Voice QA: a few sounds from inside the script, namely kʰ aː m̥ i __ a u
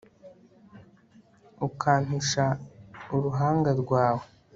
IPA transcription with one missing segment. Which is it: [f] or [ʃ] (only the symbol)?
ʃ